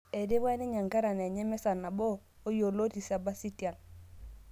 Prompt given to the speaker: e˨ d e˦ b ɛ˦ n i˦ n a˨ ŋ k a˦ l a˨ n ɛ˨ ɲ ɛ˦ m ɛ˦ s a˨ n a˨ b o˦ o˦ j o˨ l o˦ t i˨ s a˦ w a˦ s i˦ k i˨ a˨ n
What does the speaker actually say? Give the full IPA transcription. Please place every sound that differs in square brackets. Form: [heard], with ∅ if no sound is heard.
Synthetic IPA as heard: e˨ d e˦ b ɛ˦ n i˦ [ɲ] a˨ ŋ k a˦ [ɾ] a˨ n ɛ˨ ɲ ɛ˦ m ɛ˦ s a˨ n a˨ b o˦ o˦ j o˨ l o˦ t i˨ s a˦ [b] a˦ s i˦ [t] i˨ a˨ n

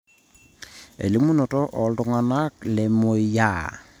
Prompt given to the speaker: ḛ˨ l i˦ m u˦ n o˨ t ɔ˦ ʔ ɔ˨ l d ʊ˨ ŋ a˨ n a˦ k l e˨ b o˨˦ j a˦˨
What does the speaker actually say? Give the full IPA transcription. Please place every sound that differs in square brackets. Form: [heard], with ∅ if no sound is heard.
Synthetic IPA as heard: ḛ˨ l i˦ m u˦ n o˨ t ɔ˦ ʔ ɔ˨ l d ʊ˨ ŋ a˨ n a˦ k l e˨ [m] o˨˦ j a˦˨

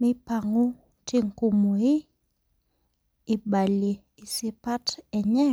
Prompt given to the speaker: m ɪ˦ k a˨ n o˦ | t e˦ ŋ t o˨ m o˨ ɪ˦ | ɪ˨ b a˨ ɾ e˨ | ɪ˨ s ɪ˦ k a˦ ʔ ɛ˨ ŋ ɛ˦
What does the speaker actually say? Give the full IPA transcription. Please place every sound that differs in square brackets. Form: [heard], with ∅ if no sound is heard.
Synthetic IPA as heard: m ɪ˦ [p] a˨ [ŋ] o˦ | t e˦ ŋ [k] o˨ m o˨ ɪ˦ | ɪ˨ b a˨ [l] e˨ | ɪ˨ s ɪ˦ [p] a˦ [t] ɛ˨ [ɲ] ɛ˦

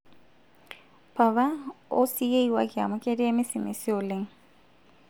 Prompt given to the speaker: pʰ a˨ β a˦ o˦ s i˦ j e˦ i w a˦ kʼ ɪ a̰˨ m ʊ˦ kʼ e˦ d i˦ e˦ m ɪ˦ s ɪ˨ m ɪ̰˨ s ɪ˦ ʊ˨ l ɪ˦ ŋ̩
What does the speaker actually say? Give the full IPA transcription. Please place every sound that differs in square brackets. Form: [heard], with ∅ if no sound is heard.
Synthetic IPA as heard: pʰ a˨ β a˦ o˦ s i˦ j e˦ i w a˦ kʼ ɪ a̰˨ m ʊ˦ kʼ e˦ d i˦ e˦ m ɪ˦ s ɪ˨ m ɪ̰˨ s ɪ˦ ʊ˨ l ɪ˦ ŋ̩

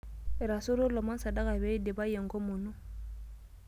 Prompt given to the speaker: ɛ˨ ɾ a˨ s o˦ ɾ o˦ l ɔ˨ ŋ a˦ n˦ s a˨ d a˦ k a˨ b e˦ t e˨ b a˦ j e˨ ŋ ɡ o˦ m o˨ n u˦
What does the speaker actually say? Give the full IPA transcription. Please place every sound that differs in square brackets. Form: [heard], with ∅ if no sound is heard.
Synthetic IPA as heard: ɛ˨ ɾ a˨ s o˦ ɾ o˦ l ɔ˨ [m] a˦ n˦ s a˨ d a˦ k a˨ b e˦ [d] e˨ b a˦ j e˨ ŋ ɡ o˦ m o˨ n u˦

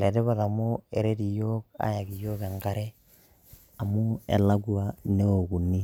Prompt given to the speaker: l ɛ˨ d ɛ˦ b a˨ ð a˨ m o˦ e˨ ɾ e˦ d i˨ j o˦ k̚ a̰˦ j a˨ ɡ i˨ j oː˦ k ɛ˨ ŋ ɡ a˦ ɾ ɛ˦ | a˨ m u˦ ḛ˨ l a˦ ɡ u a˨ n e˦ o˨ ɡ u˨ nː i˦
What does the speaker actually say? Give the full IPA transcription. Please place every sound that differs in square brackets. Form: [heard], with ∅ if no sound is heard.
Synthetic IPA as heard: l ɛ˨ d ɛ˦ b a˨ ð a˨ m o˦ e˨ ɾ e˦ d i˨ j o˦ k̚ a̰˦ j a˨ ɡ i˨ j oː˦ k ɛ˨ ŋ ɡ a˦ ɾ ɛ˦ | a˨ m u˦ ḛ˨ l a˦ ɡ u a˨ n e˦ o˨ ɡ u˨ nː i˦

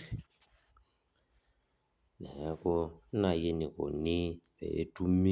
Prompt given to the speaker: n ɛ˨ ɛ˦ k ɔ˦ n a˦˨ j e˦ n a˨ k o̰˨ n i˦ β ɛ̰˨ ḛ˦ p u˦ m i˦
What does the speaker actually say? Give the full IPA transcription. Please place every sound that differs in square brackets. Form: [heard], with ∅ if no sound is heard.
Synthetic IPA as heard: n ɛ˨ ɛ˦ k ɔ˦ n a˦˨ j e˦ n [i˨] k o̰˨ n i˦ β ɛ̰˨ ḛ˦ [t] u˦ m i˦

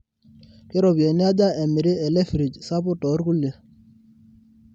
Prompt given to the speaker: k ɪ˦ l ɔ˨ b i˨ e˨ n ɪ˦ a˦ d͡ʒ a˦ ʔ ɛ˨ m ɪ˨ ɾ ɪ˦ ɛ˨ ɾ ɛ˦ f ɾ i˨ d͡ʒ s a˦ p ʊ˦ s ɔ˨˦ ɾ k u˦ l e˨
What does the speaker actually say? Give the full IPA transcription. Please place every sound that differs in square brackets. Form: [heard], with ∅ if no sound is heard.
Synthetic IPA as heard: k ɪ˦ [ɾ] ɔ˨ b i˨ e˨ n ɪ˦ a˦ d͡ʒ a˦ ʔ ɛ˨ m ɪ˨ ɾ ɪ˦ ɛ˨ [l] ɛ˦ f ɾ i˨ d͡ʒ s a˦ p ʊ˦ [t] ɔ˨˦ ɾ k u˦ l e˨

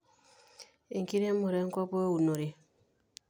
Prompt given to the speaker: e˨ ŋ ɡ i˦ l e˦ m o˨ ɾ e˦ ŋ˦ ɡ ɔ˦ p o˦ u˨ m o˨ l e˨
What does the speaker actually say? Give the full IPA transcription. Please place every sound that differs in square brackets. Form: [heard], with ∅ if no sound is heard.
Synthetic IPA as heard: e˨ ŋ [k] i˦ [ɾ] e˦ m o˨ ɾ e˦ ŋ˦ [k] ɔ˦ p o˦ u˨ [n] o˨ [ɾ] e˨

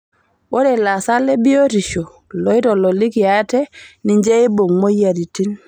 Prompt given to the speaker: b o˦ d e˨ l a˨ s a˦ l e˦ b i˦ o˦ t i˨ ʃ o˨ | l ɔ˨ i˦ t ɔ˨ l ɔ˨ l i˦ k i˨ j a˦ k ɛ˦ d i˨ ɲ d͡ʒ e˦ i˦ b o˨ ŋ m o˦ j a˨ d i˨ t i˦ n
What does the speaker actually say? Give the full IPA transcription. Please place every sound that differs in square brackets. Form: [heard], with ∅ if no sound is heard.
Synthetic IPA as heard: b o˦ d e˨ l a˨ s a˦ l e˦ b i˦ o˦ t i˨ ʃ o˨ | l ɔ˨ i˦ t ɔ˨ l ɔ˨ l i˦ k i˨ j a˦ [t] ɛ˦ [n] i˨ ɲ d͡ʒ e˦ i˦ b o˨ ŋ m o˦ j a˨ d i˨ t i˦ n

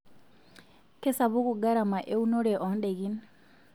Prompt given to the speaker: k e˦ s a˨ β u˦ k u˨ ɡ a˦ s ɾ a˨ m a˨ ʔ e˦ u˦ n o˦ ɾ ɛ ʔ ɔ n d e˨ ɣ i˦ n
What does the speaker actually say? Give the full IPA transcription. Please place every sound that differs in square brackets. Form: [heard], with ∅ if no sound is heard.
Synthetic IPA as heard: k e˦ s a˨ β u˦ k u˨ ɡ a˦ [∅] ɾ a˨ m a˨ ʔ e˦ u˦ n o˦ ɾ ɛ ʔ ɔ n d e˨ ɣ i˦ n

